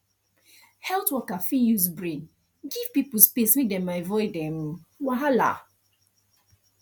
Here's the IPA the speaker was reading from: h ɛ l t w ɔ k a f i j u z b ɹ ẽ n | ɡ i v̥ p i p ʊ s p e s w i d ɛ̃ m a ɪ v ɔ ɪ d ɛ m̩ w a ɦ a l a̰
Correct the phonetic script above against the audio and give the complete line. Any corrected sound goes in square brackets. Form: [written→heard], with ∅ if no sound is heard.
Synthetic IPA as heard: h ɛ l t w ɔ k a f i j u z b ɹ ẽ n | ɡ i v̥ p i p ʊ s p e s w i d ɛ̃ m a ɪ v ɔ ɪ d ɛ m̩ w a ɦ a l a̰